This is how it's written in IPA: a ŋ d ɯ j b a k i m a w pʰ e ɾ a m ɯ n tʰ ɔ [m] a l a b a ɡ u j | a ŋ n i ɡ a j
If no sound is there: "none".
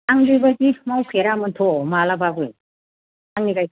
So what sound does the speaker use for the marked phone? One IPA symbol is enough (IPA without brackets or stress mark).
m